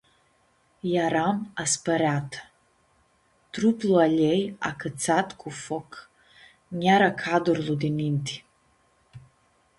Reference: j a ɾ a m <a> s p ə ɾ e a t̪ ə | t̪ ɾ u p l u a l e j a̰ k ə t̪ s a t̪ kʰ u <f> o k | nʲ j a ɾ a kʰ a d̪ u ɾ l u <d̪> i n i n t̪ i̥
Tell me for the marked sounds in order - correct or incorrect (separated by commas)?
correct, correct, correct